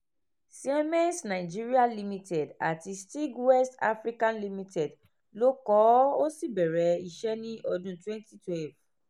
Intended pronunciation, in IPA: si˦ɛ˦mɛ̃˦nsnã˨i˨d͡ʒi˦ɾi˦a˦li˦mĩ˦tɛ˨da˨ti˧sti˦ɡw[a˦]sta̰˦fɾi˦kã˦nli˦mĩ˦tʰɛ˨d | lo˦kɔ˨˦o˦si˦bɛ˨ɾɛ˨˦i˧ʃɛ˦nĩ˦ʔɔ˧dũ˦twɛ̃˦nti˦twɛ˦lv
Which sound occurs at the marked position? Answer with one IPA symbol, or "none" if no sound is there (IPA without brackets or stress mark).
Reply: ɛ˦